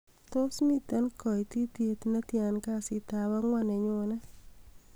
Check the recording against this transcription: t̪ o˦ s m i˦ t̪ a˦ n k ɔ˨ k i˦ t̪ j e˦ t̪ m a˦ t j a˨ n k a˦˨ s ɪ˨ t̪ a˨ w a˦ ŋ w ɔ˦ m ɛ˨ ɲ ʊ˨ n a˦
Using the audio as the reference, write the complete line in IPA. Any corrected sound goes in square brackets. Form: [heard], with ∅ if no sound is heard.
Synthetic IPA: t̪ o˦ s m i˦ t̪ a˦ n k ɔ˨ [t] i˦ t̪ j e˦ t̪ [n] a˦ t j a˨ n k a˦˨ s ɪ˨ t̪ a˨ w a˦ ŋ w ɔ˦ [n] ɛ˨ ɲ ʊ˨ n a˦